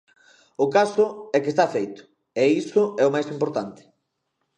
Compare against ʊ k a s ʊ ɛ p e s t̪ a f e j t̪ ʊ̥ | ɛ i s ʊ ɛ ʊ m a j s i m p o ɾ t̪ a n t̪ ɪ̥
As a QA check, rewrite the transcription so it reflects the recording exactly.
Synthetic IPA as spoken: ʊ k a s ʊ ɛ k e s t̪ a f e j t̪ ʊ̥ | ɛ i s ʊ ɛ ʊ m a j s i m p o ɾ t̪ a n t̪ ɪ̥